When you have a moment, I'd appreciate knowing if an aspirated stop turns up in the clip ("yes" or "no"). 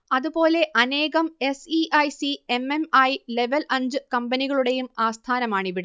yes